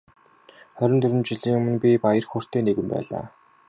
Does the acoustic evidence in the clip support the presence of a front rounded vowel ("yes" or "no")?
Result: yes